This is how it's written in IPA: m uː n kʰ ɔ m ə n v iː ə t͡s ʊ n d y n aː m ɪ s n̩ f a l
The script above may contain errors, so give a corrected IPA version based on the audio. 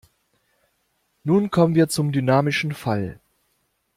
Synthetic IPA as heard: n uː n kʰ ɔ m ə n v iː ɐ t͡s ʊ m d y n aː m ɪ ʃ n̩ f a l